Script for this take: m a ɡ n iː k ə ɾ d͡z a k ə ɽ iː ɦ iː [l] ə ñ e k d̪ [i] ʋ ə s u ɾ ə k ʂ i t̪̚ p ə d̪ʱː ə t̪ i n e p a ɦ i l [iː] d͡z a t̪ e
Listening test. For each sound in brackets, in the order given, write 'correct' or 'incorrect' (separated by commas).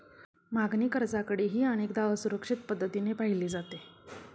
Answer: incorrect, incorrect, correct